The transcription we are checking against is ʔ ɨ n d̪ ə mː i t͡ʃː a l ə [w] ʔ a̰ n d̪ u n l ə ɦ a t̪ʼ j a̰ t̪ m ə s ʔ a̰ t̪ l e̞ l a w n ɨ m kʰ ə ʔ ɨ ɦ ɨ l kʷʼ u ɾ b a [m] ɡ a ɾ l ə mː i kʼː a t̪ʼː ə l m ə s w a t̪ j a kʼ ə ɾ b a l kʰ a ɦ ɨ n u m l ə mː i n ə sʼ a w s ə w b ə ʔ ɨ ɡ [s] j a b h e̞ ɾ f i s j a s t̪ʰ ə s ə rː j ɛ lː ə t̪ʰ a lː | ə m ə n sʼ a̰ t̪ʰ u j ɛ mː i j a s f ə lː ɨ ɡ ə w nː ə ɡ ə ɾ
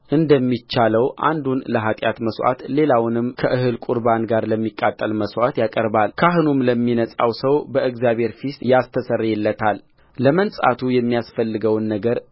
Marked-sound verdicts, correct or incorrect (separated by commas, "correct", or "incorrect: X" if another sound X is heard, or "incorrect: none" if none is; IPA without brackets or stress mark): correct, incorrect: n, incorrect: z